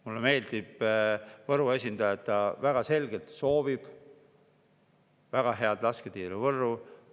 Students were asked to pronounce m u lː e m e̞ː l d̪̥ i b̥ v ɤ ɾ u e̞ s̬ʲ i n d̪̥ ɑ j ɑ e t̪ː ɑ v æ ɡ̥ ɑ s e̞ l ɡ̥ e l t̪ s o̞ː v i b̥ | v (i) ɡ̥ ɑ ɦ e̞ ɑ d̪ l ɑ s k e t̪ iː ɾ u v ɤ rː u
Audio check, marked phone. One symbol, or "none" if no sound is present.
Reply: æ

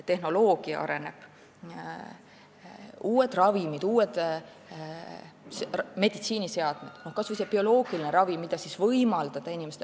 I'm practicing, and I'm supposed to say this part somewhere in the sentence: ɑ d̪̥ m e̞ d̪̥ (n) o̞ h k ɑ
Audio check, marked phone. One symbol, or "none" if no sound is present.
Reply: n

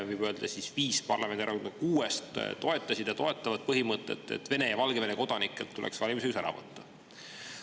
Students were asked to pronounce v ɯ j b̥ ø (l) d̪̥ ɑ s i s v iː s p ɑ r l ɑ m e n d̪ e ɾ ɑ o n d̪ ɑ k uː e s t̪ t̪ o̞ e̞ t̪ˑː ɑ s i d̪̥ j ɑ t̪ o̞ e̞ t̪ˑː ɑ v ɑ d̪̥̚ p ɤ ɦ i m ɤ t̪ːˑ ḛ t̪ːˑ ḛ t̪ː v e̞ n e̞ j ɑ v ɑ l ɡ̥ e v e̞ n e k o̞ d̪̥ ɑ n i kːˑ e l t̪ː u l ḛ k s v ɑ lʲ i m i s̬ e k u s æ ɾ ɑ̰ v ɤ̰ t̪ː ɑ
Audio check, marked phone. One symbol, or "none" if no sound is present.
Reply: l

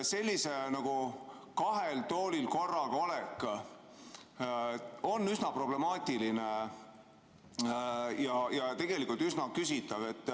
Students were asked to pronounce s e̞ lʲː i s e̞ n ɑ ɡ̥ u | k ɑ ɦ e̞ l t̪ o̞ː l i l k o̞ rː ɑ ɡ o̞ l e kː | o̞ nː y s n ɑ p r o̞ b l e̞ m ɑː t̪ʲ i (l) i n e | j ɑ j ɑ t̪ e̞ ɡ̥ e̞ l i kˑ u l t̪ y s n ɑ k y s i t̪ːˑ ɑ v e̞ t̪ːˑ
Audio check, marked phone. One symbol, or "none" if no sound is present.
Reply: l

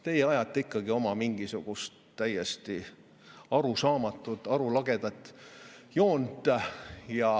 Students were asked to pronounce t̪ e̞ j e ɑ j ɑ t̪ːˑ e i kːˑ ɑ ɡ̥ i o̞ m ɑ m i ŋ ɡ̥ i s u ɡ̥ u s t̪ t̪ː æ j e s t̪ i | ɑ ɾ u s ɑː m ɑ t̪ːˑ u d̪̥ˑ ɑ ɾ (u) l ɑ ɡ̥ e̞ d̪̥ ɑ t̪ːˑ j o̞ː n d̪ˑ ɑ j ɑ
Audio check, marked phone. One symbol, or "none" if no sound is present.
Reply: u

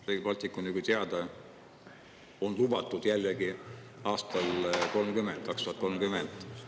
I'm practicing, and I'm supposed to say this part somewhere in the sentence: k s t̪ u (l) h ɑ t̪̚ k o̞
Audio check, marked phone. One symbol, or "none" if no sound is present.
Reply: none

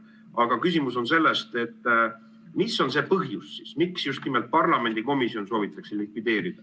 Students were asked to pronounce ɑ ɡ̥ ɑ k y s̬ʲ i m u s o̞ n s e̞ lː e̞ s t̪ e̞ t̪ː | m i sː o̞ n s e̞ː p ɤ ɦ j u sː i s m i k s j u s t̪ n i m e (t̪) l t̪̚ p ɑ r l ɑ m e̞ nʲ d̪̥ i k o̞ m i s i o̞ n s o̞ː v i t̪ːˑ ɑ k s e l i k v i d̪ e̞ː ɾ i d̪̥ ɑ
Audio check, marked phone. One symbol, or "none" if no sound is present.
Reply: none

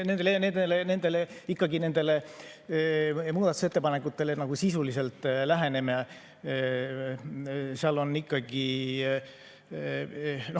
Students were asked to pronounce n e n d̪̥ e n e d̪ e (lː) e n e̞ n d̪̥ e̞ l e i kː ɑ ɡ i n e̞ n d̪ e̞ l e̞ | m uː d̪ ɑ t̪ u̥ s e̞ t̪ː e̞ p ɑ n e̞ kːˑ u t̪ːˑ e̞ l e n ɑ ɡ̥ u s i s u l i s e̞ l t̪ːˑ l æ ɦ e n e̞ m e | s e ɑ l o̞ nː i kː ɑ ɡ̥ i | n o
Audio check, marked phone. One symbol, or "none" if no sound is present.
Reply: l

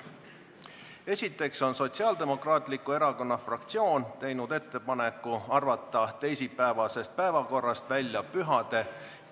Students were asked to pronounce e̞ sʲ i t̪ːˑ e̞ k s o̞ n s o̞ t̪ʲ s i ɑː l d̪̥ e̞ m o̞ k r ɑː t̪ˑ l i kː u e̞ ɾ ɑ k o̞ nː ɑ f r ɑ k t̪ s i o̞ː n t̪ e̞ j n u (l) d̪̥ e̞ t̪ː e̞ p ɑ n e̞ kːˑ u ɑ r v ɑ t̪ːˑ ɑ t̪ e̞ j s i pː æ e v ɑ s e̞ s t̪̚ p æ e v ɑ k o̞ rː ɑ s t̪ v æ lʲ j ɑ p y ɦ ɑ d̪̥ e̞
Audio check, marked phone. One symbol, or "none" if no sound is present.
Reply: none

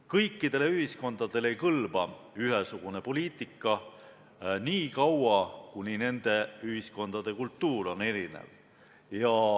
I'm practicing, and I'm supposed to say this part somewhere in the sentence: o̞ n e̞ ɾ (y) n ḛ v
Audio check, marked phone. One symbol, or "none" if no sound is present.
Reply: i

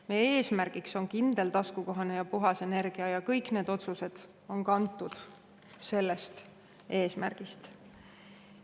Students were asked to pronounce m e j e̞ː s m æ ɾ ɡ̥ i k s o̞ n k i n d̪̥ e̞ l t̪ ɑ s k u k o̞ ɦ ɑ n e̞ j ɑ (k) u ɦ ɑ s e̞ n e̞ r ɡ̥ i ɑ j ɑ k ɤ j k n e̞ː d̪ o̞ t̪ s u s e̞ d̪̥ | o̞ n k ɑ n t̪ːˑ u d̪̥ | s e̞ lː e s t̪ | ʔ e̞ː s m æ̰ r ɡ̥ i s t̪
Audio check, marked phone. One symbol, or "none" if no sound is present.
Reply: p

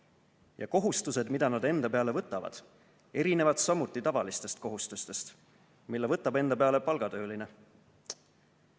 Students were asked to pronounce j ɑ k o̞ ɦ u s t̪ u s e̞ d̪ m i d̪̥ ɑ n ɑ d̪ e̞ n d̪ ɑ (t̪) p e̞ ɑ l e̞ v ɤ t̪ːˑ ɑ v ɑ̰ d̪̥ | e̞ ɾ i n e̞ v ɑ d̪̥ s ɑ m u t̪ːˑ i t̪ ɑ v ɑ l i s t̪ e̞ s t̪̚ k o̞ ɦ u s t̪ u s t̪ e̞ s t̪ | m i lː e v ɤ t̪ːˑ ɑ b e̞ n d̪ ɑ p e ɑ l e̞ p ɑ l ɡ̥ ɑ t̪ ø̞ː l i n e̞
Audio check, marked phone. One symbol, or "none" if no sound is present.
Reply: none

